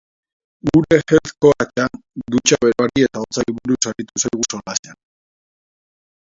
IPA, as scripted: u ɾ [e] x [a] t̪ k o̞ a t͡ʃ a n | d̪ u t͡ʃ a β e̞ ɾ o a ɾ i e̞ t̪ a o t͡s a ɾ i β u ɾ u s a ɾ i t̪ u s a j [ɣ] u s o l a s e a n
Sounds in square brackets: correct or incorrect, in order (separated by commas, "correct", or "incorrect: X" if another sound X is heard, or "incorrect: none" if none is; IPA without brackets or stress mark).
correct, incorrect: e, correct